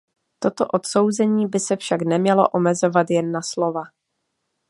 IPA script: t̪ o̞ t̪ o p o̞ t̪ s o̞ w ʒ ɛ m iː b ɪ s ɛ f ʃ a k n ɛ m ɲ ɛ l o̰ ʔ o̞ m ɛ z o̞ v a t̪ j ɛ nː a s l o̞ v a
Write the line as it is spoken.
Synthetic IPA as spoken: t̪ o̞ t̪ o ʔ o̞ t̪ s o̞ w z ɛ ɲ iː b ɪ s ɛ f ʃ a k n ɛ m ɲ ɛ l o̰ ʔ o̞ m ɛ z o̞ v a t̪ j ɛ nː a s l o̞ v a